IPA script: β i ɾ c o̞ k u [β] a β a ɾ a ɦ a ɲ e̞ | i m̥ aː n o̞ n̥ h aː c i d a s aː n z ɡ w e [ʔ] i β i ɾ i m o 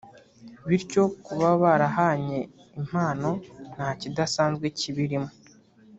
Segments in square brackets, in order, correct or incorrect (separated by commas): correct, incorrect